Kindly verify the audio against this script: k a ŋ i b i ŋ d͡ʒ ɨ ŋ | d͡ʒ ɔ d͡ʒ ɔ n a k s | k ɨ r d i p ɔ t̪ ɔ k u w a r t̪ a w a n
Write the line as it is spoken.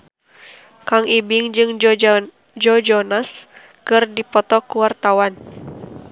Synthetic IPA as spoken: k a ŋ i b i ŋ d͡ʒ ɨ ŋ | d͡ʒ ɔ d͡ʒ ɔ n a s | k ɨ r d i p ɔ t̪ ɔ k u w a r t̪ a w a n